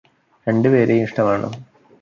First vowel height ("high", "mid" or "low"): mid